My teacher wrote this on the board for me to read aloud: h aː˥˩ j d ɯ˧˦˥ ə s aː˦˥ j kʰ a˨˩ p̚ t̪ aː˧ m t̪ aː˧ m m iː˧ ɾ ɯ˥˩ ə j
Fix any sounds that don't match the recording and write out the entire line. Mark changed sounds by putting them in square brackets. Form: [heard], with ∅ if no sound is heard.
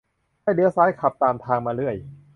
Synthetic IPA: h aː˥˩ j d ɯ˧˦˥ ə s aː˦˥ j kʰ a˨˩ p̚ t̪ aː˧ m [t̪ʰ] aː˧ [ŋ] m [aː˧] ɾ ɯ˥˩ ə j